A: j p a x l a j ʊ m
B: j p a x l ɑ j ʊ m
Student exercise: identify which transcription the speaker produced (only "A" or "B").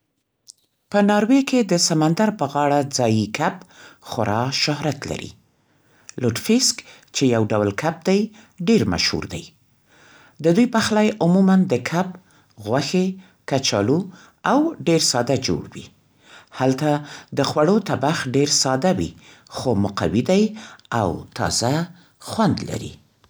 A